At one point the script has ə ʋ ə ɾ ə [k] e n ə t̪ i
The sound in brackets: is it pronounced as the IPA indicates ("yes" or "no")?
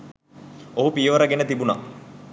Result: no